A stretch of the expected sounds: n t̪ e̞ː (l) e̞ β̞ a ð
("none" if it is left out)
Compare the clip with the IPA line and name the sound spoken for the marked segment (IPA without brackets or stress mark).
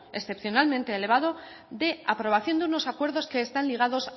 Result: l